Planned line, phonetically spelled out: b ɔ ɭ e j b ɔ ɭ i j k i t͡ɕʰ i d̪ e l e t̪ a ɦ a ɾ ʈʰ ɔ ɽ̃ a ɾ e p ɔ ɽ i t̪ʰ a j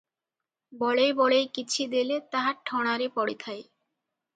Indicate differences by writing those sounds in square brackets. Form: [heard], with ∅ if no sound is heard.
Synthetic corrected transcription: b ɔ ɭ e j b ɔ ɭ [e] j k i t͡ɕʰ i d̪ e l e t̪ a ɦ a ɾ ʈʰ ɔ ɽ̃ a ɾ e p ɔ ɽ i t̪ʰ a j